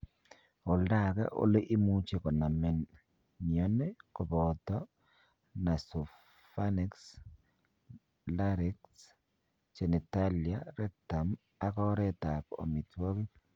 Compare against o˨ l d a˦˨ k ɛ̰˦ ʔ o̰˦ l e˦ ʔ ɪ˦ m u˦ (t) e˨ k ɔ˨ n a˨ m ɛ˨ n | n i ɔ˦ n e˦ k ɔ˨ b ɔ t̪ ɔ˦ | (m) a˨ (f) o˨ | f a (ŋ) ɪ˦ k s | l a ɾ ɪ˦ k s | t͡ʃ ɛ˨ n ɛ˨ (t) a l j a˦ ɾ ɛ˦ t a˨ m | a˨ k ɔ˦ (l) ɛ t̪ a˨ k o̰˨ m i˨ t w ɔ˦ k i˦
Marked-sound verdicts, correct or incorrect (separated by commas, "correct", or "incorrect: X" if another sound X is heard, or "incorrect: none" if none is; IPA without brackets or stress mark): incorrect: t͡ʃ, incorrect: n, incorrect: s, incorrect: n, correct, incorrect: ɾ